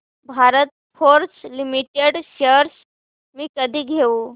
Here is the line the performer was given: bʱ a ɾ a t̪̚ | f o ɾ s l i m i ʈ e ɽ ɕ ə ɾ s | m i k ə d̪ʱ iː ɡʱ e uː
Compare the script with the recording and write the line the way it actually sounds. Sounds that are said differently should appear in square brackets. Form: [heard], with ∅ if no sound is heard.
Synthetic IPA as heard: bʱ a ɾ [ə] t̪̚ | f o ɾ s l i m i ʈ e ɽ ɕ ə ɾ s | m [iː] k ə d̪ʱ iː ɡʱ e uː